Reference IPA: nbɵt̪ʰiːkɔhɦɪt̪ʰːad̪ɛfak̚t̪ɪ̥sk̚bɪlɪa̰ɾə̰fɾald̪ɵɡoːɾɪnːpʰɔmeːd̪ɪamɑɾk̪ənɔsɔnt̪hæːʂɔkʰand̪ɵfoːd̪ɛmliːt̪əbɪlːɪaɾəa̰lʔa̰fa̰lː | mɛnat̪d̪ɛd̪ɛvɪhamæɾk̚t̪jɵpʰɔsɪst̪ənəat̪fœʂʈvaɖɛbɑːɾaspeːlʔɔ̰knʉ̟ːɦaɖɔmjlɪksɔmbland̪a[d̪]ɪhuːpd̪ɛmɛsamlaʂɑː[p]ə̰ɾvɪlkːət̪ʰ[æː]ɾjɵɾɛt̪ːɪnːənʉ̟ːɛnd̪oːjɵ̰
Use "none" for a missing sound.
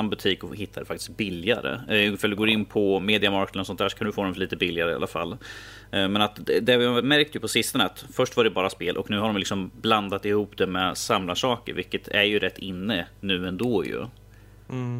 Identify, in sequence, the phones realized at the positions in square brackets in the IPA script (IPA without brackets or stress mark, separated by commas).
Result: t̪, k, æ